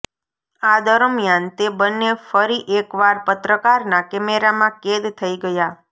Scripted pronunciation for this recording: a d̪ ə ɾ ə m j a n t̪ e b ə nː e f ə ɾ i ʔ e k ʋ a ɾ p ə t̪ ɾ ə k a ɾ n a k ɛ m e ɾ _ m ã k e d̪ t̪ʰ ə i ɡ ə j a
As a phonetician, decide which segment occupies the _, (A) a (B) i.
A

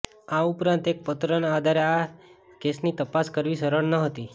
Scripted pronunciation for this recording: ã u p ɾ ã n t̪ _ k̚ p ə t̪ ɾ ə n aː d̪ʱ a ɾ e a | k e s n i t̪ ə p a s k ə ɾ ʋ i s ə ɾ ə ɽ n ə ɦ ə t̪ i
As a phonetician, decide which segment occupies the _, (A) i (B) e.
B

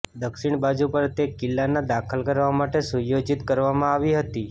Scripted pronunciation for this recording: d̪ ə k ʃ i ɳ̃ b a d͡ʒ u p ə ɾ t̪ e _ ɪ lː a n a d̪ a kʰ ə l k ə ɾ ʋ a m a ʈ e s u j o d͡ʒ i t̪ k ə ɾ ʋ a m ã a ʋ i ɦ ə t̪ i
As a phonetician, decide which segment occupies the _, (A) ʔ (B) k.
B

